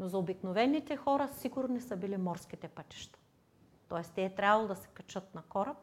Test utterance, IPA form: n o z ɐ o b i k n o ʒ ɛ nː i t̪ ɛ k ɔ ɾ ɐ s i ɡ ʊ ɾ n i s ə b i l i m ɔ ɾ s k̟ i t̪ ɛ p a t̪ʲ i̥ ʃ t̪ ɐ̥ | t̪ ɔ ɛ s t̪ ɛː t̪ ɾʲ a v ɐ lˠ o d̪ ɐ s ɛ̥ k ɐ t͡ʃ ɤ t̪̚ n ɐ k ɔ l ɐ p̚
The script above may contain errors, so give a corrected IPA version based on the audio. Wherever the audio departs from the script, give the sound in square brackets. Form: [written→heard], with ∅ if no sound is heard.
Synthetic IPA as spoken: n o z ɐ o b i k n o [ʒ→v] ɛ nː i t̪ ɛ [k→x] ɔ ɾ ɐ s i ɡ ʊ ɾ n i s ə b i l i m ɔ ɾ s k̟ i t̪ ɛ p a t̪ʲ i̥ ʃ t̪ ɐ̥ | t̪ ɔ ɛ s t̪ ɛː t̪ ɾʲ a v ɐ lˠ o d̪ ɐ s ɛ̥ k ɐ t͡ʃ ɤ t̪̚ n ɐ k ɔ [l→ɾ] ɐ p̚